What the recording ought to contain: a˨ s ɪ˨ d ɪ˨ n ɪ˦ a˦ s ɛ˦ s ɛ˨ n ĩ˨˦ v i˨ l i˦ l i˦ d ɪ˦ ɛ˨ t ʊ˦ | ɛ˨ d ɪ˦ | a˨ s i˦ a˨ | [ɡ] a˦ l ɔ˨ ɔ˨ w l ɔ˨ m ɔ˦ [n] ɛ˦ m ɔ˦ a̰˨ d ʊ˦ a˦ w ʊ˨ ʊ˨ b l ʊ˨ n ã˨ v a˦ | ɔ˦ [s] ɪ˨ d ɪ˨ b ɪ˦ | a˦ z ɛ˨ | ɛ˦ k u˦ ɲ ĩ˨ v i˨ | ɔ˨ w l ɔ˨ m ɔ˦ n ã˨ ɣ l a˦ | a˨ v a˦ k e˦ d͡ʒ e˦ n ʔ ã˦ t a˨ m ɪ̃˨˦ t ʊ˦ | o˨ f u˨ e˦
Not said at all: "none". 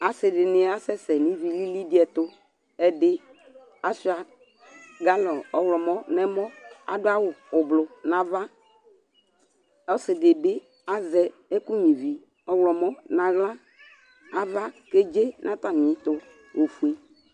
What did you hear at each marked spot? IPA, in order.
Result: ɡ, n, s

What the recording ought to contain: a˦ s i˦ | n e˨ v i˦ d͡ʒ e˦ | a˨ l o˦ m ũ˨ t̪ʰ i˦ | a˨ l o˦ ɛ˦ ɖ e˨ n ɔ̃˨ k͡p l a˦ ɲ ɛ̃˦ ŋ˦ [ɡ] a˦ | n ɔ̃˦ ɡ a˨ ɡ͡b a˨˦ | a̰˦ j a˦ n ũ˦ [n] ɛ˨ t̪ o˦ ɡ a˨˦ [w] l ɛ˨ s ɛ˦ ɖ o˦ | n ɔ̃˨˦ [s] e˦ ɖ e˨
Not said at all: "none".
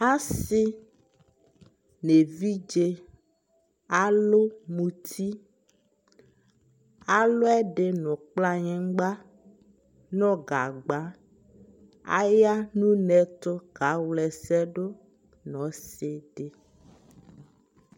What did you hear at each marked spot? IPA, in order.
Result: ɡ͡b, n, w, s

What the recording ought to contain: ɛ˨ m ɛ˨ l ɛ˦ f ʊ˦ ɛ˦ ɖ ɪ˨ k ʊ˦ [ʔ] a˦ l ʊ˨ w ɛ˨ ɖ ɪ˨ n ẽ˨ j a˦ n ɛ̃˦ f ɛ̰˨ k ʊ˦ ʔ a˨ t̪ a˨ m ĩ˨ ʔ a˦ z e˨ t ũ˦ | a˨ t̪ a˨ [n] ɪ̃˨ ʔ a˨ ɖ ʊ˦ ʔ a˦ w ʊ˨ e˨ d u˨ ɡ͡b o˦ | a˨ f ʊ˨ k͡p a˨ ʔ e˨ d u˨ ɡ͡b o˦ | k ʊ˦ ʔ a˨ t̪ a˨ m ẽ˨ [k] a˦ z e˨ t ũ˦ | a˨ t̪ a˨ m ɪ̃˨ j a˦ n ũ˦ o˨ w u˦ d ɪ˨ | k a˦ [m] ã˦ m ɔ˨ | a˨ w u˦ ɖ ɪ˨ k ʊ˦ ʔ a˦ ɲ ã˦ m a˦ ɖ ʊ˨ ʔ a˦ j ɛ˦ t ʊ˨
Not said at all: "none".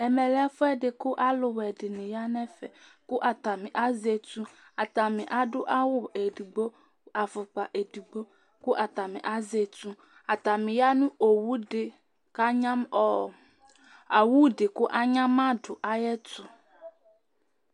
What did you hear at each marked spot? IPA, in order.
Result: ʔ, m, ʔ, ɲ

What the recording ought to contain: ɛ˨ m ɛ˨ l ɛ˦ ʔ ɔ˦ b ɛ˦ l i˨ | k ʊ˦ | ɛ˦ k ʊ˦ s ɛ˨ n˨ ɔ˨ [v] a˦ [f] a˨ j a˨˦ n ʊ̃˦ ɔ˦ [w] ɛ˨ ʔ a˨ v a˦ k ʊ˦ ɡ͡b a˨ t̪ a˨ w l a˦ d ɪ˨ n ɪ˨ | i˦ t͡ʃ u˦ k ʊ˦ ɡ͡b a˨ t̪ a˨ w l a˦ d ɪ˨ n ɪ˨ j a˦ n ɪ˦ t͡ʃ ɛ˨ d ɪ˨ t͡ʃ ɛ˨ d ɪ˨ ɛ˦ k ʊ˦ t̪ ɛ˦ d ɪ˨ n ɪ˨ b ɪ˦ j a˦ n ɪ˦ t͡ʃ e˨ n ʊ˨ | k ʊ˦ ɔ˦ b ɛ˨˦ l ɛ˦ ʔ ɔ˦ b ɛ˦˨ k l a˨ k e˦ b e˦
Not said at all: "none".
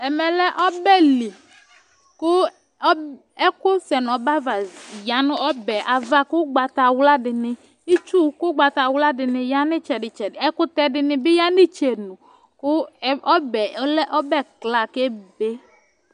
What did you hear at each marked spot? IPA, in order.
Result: b, v, b

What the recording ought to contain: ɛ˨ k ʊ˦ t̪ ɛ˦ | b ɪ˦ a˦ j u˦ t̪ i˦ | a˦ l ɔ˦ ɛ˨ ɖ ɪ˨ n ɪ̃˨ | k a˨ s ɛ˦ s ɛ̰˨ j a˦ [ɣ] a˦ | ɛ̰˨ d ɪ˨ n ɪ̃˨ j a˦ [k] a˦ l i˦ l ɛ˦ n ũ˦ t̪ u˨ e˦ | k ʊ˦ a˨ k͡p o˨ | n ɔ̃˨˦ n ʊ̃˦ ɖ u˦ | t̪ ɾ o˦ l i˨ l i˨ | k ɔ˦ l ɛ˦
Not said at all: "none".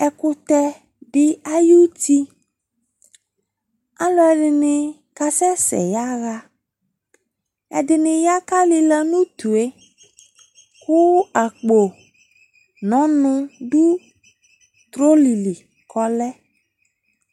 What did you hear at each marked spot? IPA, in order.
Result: ɣ, k

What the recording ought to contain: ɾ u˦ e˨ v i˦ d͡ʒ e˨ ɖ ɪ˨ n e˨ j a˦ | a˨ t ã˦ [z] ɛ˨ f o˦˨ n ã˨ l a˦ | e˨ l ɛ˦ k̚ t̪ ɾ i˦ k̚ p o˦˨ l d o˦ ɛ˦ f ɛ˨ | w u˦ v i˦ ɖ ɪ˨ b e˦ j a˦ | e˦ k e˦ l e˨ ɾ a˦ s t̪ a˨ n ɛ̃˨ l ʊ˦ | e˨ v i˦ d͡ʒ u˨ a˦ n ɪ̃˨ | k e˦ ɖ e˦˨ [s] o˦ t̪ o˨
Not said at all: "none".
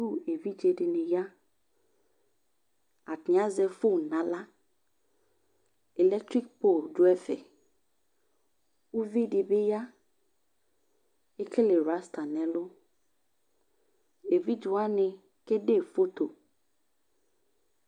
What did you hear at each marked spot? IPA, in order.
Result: z, f

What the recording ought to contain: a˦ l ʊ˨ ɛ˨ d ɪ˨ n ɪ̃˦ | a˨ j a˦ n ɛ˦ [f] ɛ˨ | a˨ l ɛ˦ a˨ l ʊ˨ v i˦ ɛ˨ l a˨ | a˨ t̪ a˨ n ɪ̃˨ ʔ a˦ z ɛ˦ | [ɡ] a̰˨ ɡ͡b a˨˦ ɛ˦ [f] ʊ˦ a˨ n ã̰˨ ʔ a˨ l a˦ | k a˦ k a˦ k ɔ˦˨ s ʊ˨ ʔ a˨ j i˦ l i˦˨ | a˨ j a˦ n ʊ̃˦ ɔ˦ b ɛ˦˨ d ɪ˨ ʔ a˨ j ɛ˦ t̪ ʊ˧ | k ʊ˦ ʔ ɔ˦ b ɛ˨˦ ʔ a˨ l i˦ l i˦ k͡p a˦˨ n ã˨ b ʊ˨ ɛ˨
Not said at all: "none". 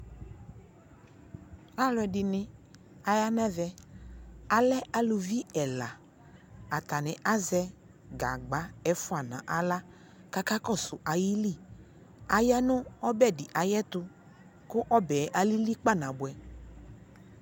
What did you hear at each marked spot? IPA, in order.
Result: v, ɡ, f

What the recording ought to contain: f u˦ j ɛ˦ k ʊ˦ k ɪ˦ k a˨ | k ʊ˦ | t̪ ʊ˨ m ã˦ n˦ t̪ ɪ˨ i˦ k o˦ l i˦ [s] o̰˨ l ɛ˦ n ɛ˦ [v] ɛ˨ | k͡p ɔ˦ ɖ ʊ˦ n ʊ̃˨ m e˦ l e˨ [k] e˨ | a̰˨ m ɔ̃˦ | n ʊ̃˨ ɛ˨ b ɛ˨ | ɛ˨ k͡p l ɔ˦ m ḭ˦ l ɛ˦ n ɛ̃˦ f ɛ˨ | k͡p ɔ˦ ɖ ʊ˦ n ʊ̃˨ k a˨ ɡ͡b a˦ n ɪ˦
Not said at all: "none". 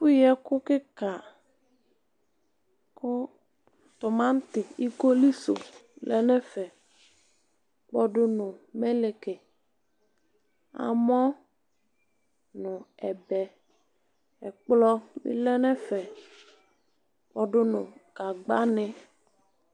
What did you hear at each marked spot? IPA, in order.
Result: s, f, k

